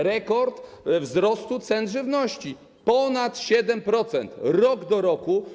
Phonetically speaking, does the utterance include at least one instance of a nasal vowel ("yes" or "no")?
no